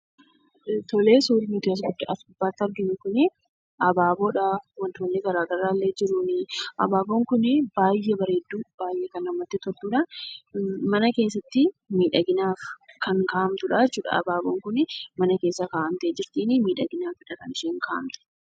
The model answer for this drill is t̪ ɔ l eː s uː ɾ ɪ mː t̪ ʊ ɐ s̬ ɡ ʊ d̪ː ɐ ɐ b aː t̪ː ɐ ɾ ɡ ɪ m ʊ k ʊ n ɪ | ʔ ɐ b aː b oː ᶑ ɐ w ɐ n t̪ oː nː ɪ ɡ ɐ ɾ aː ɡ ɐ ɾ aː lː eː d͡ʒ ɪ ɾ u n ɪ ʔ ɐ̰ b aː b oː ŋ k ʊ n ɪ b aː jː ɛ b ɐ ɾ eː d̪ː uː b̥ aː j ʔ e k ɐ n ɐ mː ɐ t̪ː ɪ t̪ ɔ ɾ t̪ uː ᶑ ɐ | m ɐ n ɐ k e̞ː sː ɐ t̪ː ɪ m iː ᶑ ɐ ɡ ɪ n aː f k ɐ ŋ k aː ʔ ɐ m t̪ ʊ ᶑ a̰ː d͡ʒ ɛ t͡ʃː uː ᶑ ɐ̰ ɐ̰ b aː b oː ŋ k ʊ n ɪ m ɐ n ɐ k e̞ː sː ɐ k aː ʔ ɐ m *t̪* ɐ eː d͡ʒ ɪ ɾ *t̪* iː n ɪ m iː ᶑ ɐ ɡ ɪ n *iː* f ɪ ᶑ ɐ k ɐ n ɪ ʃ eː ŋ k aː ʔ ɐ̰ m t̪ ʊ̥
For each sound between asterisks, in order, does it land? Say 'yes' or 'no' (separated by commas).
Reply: yes, yes, no